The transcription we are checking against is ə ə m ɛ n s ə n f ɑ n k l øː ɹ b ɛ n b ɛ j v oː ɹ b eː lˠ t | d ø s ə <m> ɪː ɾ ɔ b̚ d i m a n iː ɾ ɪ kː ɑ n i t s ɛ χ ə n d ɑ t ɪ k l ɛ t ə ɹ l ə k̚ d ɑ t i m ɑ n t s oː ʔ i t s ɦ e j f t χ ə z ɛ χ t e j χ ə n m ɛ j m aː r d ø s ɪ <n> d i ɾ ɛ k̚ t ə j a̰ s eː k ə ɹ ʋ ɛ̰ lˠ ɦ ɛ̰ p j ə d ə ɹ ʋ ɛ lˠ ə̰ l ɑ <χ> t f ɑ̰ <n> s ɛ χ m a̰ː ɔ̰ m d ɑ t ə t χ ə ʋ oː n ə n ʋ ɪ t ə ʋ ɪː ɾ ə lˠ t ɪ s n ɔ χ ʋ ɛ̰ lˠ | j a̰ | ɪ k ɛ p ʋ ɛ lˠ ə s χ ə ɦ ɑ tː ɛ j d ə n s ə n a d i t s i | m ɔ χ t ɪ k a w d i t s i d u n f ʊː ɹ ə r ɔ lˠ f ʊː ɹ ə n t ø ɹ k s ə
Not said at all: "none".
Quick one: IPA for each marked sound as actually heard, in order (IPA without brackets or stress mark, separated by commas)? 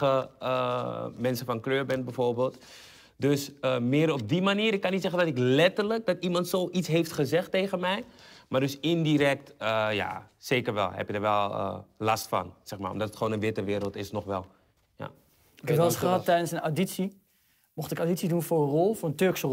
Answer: m, n, s, n